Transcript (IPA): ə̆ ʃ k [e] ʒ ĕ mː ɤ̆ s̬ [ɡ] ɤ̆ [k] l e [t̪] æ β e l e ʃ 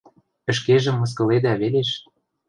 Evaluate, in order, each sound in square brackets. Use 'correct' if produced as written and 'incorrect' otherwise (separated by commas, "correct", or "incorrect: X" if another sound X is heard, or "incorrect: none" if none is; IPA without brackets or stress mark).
correct, incorrect: k, incorrect: none, incorrect: d̪